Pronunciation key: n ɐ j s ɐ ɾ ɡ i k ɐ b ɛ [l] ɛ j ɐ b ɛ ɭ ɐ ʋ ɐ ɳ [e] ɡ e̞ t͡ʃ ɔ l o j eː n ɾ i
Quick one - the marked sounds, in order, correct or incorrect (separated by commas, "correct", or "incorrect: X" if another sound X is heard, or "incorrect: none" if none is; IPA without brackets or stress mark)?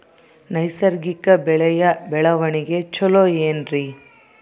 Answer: incorrect: ɭ, incorrect: i